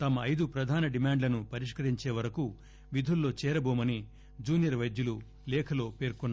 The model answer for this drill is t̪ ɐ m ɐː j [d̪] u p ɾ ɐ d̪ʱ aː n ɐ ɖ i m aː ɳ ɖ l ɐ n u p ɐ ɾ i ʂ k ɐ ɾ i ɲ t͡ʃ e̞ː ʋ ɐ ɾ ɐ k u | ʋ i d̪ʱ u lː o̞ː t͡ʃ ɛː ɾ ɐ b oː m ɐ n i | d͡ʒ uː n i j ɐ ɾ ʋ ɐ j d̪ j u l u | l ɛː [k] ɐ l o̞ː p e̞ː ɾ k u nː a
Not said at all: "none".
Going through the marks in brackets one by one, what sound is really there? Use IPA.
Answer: d̪, kʰ

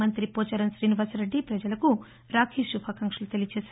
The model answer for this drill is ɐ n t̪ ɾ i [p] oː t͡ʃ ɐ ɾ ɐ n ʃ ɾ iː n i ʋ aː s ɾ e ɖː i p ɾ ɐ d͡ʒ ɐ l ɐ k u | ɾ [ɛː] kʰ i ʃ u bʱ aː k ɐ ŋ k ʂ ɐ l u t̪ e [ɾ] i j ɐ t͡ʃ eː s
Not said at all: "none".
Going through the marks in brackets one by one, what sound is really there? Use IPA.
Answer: p, aː, l

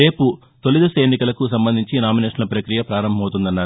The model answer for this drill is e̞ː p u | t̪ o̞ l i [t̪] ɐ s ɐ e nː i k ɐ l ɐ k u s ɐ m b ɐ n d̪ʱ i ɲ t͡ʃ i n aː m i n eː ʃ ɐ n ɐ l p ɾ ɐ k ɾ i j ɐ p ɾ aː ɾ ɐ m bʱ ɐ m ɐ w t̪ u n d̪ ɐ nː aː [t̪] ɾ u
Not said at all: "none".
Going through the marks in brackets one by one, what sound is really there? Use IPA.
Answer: d̪, none

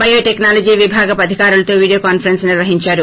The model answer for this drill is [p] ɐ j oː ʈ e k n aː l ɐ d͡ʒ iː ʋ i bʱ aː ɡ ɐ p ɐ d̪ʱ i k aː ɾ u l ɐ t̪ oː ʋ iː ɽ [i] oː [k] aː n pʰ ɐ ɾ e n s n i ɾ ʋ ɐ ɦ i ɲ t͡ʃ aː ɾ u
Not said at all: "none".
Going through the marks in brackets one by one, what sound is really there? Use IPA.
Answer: b, i, k

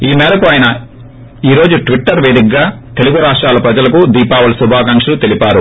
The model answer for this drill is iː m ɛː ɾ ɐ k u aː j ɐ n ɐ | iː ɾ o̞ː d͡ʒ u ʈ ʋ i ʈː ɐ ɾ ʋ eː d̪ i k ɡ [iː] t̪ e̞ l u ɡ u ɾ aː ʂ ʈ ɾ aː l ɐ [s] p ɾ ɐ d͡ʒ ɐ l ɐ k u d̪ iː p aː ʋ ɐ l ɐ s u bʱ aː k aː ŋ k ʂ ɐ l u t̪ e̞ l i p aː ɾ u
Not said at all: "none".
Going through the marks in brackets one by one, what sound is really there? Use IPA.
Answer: aː, none

